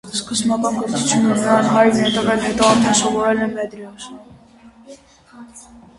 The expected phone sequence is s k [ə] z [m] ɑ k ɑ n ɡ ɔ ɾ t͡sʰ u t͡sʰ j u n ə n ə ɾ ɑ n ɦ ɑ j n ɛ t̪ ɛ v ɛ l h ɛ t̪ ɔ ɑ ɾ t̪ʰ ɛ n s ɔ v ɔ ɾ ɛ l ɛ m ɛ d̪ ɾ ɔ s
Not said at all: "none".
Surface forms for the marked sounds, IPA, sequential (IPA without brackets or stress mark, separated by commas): ə, m